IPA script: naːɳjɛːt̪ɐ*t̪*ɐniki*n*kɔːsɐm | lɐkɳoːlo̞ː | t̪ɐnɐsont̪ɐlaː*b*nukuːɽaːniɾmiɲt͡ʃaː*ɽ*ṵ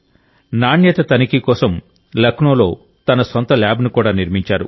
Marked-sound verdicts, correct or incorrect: correct, incorrect: none, correct, incorrect: ɾ

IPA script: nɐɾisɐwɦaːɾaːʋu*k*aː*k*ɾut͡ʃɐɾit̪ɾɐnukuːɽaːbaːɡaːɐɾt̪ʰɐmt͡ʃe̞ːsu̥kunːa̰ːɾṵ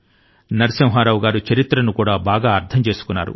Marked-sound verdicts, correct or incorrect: incorrect: ɡ, incorrect: none

